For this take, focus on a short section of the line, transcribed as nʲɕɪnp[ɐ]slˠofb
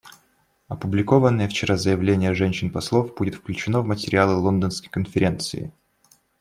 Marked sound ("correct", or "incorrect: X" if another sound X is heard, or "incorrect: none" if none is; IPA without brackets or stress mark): correct